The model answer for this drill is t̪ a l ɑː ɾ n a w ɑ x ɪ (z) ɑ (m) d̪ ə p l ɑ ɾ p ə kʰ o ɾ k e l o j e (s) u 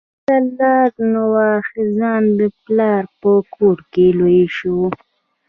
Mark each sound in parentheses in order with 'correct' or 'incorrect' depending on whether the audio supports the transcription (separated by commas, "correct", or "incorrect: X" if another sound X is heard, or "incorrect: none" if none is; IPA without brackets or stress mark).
correct, incorrect: n, incorrect: ʃ